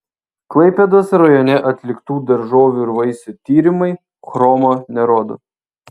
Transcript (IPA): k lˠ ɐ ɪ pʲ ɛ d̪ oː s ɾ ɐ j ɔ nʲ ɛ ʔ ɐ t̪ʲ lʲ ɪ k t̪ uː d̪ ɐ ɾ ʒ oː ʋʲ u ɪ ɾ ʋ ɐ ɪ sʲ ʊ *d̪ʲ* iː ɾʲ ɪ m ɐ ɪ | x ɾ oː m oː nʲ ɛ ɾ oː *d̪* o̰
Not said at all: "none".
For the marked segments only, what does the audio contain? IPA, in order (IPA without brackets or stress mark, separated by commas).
t̪ʲ, d̪